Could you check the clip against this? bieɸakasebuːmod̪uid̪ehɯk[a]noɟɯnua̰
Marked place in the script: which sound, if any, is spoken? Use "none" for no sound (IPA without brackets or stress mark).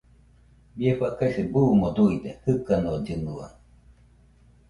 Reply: a